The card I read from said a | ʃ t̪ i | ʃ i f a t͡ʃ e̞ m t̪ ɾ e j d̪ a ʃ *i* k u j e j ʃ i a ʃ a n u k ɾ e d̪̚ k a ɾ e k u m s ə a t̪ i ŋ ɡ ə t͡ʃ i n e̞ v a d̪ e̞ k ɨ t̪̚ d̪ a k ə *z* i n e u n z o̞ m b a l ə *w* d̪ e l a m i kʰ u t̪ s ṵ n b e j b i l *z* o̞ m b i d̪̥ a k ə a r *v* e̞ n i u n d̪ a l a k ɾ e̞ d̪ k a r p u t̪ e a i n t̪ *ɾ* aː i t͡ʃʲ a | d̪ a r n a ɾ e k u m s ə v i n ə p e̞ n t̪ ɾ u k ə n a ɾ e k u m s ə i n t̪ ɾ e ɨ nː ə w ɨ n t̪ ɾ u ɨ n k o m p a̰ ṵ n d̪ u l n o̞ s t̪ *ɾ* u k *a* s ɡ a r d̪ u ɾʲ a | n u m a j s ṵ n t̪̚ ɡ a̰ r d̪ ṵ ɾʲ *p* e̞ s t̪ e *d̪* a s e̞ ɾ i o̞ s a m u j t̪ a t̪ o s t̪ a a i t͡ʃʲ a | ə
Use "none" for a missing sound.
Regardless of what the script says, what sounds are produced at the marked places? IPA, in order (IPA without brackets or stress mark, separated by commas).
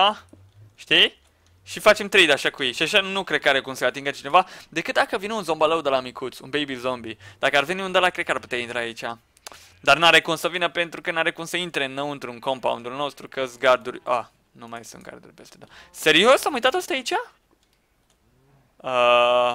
a, v, w, z, v, ɾ, ɾ, ə, p, d̪